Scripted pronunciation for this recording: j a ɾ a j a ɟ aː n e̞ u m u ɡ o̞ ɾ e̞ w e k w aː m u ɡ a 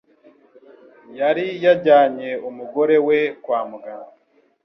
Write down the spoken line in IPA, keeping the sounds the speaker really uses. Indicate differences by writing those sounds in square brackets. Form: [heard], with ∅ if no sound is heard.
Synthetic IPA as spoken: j a ɾ [i] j a ɟ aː [ɲ] e̞ u m u ɡ o̞ ɾ e̞ w e k w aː m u ɡ a